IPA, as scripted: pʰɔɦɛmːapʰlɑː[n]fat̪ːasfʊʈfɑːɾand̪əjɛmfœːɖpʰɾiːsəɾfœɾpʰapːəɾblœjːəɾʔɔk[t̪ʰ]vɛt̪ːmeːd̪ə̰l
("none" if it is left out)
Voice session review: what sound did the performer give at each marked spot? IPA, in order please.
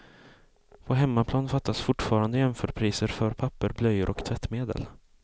n, t̪ʰ

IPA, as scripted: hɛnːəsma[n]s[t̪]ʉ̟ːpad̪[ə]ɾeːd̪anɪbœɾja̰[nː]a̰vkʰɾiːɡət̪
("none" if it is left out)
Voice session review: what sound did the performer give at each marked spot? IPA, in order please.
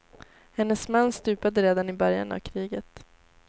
nː, t̪, ə, n

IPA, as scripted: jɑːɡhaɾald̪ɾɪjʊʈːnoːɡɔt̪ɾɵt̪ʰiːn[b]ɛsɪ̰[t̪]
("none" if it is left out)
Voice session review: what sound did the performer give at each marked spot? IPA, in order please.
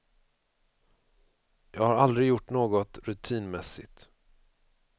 m, t̪

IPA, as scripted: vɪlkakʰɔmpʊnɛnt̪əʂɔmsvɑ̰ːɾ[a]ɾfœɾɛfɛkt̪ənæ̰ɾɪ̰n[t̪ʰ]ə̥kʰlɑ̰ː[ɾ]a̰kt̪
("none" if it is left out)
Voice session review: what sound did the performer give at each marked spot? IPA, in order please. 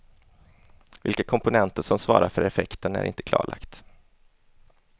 a, t̪, ɭ

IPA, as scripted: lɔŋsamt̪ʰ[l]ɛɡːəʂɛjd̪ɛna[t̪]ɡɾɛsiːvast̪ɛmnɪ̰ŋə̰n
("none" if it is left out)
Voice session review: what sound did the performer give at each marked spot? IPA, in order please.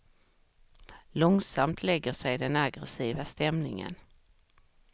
l, none

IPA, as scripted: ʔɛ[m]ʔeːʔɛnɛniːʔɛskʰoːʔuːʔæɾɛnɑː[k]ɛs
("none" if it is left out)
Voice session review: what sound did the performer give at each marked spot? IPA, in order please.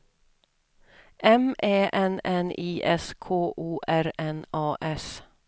m, ʔ

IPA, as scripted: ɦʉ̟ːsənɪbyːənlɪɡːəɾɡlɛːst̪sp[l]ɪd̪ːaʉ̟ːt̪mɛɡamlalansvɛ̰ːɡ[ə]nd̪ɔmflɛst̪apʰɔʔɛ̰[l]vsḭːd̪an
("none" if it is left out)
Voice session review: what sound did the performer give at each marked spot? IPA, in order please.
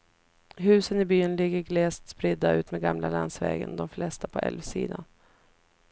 ɾ, ə, l

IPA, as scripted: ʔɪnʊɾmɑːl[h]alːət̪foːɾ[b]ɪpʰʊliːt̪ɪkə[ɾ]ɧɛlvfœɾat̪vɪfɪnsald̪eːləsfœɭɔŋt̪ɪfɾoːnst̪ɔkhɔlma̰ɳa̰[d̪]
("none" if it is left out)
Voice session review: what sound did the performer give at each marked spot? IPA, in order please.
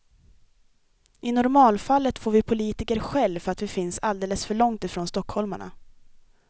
f, v, ɾ, none

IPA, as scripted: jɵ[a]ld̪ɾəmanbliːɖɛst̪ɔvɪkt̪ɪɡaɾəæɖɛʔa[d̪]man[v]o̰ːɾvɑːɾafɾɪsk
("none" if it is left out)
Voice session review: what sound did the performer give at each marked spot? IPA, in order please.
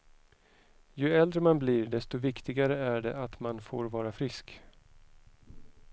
ɛ, t̪, f

